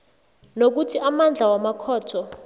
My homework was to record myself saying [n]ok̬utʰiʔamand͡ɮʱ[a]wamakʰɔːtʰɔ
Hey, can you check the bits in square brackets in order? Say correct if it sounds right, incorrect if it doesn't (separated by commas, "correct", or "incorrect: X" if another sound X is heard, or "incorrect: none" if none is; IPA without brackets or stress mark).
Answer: correct, correct